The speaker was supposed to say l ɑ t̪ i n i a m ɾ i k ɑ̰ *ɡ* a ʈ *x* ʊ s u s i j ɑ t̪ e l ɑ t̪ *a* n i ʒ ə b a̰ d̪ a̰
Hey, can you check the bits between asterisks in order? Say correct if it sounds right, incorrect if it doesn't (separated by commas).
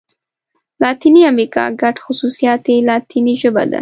correct, correct, incorrect